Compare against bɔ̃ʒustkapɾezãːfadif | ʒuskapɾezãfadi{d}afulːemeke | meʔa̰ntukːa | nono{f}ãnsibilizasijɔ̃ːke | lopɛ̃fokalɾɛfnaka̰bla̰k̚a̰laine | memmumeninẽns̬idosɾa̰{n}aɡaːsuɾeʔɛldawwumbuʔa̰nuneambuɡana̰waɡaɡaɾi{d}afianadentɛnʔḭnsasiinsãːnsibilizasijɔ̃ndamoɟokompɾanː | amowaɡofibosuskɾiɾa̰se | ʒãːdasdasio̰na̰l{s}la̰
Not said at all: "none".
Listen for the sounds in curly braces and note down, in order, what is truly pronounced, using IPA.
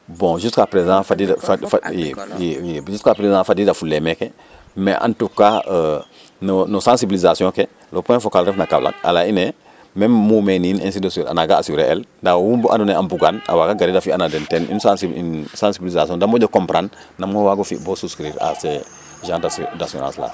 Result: d, s, n, d, s

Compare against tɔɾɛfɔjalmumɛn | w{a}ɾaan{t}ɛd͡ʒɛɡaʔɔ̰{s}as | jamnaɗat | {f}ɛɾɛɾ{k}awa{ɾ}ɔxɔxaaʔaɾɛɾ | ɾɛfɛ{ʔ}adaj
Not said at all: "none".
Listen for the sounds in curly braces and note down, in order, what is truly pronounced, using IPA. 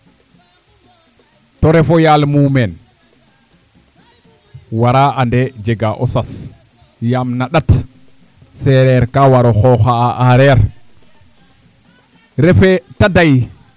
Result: a, d, s, s, k, ɾ, t

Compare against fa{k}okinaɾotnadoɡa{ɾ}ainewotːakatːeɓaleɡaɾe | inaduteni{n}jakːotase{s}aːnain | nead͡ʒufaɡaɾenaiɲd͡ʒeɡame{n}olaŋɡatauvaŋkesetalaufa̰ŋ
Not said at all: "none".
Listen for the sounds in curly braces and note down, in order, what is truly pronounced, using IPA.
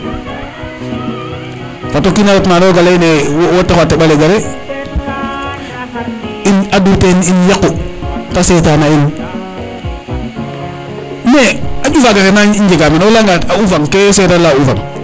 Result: t, l, n, t, n

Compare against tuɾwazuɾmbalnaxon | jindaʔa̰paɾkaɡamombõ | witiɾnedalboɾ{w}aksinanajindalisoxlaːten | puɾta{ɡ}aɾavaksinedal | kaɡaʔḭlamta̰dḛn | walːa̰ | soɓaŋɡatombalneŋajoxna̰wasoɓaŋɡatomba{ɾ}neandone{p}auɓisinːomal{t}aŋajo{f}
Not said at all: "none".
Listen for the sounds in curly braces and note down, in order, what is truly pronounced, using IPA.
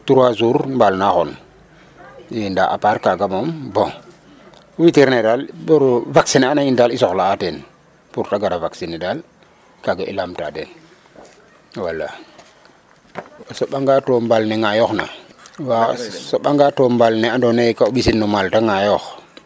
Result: v, ɡ, l, k, t, x

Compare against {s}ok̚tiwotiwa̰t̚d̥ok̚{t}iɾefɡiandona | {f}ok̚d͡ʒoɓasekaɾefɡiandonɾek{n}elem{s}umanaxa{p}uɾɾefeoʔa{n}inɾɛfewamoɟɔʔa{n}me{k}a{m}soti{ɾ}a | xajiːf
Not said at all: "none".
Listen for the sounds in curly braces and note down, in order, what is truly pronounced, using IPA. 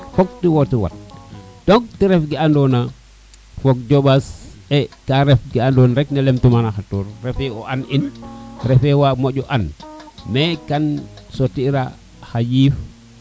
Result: f, t, f, n, t, t, n, n, k, n, ɾ

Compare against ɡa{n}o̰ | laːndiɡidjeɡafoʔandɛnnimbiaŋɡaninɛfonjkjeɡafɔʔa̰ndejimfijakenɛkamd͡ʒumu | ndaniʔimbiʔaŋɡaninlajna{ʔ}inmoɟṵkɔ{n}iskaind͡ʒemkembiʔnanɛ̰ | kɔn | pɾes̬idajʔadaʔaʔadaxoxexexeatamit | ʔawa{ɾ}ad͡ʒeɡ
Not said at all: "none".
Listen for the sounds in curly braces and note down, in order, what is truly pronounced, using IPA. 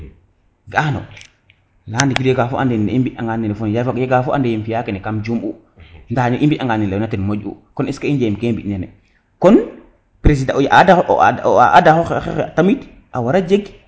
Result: n, t, n, ɾ

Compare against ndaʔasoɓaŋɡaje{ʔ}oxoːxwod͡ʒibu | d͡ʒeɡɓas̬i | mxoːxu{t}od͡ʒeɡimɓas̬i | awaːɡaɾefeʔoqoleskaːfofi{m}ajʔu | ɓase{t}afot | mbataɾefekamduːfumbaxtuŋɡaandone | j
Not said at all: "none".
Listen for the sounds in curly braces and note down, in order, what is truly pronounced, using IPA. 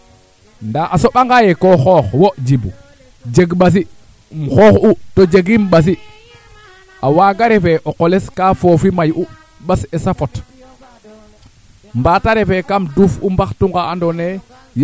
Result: k, t, m, s

